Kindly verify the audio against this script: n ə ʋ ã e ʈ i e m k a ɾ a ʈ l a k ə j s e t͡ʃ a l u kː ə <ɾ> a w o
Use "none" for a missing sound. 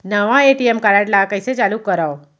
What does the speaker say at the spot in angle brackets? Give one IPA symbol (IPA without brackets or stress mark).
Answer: ɾ